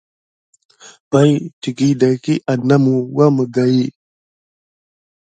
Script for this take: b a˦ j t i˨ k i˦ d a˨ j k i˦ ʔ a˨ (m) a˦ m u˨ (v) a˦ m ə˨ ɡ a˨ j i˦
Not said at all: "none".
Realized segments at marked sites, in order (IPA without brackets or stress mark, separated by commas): n, w